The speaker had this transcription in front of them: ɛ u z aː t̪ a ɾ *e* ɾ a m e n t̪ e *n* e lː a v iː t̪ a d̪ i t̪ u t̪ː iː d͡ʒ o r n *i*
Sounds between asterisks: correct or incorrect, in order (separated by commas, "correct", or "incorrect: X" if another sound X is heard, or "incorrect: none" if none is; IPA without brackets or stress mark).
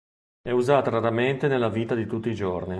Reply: incorrect: a, correct, correct